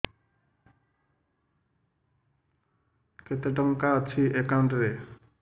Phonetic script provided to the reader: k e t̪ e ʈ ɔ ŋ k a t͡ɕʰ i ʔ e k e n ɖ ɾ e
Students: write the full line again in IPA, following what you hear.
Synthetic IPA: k e t̪ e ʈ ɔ ŋ k a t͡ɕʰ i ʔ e k a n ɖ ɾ e